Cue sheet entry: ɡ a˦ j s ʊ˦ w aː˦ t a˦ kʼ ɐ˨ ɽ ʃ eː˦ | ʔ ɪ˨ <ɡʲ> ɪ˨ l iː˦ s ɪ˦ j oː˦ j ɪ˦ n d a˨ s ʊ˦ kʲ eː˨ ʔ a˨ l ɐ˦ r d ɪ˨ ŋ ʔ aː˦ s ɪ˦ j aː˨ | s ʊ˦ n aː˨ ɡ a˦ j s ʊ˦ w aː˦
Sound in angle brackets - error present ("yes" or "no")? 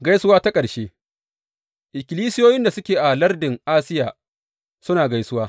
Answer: yes